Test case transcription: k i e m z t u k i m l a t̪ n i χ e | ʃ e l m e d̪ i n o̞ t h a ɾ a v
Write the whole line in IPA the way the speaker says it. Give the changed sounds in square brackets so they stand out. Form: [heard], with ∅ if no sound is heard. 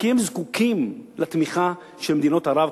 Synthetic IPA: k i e m z [k] u k i m l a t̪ [m] i χ [a] | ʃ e l m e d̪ i n o̞ t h a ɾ a v